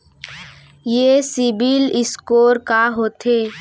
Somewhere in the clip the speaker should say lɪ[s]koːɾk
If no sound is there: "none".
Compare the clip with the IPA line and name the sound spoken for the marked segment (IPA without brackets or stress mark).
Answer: s